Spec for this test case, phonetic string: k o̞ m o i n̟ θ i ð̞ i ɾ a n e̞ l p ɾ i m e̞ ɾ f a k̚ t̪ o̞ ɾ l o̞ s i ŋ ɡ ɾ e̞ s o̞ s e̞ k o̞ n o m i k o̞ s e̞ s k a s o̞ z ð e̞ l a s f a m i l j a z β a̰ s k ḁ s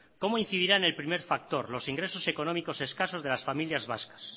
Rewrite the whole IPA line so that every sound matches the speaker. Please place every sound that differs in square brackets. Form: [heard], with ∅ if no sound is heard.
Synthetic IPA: k o̞ m o i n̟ θ i ð̞ i ɾ a n e̞ l p ɾ i m e̞ ɾ f a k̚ t̪ o̞ ɾ l o̞ s i ŋ ɡ ɾ e̞ s o̞ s e̞ k o̞ n o m i k o̞ s e̞ s k a s o̞ z ð e̞ l a s f a m i l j a z β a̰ s k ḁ s